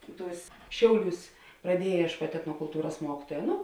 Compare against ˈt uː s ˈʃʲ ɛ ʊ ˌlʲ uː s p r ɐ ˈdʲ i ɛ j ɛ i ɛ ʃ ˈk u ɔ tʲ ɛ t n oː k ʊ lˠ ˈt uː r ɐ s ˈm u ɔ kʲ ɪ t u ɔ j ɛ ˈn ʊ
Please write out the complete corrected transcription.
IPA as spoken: ˈt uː s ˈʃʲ ɛ ʊ ˌlʲ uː s p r ɐ ˈdʲ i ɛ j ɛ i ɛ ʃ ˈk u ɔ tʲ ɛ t n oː k ʊ lˠ ˈt uː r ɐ s ˈm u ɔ kʲ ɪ t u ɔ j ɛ ˈn ʊ